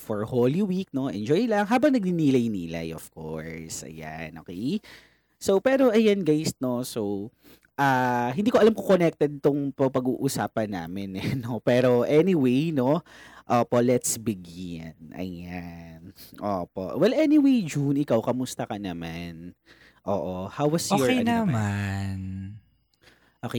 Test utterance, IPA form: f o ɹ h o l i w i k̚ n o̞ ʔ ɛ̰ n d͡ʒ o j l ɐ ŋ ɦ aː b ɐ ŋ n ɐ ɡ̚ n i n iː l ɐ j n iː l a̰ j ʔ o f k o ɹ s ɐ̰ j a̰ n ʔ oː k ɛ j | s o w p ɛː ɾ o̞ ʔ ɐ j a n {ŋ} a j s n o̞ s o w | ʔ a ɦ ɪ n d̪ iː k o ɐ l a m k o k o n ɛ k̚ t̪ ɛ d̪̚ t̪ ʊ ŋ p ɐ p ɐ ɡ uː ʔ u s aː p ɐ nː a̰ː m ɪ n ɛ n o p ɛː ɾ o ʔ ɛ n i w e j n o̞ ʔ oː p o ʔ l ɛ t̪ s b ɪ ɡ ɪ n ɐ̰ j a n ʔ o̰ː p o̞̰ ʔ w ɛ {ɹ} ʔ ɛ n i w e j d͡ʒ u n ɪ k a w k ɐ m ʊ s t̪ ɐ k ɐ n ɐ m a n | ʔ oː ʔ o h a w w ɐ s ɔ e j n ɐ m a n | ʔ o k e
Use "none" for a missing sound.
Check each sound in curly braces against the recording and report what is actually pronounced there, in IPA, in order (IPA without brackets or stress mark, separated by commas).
ɡ, l